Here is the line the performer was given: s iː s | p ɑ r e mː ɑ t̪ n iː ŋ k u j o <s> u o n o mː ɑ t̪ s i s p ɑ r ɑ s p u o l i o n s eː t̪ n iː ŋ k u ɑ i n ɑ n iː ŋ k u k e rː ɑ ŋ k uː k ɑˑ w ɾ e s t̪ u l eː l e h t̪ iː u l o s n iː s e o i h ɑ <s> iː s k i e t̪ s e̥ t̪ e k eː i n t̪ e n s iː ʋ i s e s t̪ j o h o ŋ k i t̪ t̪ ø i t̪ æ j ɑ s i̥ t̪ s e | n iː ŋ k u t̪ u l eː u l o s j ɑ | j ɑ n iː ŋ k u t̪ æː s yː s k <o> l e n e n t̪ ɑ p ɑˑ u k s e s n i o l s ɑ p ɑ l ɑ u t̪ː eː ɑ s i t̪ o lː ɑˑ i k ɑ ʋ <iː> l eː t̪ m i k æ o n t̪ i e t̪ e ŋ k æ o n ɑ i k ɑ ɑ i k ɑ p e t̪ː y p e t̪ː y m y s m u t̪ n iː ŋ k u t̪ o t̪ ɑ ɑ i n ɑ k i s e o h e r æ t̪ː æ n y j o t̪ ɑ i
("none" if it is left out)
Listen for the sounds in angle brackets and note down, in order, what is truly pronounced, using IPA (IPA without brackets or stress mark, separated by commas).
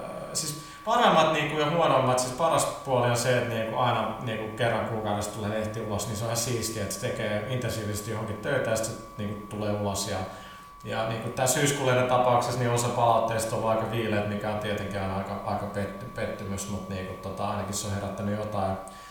h, s, u, iː